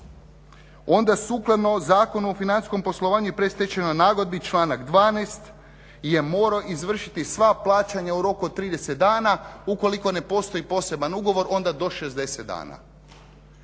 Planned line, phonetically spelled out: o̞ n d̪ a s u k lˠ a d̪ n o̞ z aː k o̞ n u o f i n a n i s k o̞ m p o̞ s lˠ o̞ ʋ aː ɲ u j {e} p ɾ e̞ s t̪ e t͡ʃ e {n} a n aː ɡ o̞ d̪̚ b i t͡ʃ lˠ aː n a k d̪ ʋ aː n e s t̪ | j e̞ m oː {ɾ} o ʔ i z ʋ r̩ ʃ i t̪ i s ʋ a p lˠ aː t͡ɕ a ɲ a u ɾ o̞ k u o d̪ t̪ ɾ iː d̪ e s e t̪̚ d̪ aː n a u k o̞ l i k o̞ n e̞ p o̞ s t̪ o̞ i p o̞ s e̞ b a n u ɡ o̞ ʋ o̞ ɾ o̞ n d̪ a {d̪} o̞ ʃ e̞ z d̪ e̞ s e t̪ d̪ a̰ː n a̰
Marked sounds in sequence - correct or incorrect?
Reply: correct, correct, correct, correct

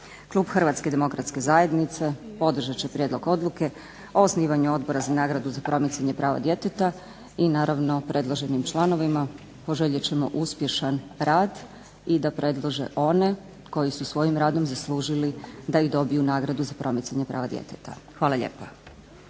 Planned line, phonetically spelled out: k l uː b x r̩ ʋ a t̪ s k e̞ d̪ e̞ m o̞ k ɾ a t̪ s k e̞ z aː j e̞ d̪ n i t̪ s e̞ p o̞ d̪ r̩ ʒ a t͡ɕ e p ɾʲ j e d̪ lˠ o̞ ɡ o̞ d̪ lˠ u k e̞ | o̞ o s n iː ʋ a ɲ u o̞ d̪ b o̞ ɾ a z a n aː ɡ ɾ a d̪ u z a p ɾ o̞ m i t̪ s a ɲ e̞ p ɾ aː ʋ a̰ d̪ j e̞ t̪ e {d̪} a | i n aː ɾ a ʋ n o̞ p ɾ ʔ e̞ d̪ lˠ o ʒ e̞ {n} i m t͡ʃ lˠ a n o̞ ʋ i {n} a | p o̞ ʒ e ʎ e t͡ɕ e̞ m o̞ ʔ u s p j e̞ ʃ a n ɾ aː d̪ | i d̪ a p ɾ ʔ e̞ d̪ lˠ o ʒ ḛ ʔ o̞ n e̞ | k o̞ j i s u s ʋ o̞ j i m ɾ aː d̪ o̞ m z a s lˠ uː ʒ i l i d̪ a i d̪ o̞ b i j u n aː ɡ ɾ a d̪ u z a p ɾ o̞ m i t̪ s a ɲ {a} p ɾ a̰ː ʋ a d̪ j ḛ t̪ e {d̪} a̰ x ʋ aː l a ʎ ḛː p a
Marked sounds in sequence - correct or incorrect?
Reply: incorrect, correct, incorrect, incorrect, incorrect

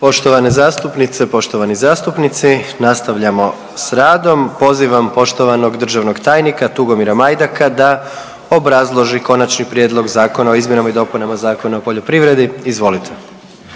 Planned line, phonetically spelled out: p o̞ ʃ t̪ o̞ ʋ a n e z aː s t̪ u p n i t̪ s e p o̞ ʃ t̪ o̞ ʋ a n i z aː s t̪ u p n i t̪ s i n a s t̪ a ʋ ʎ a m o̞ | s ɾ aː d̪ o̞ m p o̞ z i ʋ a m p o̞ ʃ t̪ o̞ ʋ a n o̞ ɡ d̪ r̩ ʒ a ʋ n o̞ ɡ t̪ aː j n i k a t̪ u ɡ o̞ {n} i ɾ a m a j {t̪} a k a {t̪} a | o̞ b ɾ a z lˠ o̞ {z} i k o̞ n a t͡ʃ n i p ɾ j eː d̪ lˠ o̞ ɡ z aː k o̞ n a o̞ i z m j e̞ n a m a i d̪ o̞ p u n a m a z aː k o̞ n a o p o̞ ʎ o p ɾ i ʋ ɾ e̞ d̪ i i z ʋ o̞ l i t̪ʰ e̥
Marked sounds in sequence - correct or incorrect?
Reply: incorrect, incorrect, incorrect, incorrect

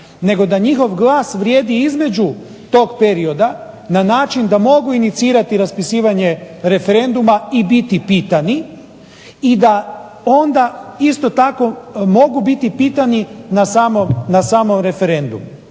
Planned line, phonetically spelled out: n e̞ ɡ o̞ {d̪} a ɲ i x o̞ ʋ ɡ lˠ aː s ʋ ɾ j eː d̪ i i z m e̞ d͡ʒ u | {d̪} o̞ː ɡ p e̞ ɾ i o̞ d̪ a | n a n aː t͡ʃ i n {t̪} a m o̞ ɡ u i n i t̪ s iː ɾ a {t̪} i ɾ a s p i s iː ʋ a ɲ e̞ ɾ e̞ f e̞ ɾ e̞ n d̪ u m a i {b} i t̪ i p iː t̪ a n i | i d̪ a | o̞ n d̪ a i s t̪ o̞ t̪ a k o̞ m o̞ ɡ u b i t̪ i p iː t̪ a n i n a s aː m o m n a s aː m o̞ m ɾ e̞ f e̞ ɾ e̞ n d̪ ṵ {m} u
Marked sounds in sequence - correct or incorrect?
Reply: correct, incorrect, incorrect, correct, correct, correct

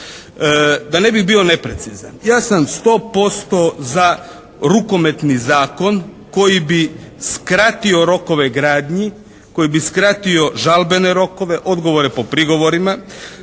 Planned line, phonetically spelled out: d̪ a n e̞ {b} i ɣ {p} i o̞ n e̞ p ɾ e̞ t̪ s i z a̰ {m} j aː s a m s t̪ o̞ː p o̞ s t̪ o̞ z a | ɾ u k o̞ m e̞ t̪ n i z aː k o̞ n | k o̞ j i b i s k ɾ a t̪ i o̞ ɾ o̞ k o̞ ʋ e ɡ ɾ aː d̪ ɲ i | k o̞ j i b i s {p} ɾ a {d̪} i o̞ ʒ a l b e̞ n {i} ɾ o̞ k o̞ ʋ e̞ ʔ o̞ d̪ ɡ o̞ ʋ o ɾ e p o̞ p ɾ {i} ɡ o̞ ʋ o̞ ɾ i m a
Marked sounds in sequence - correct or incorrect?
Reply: correct, incorrect, incorrect, incorrect, incorrect, incorrect, correct

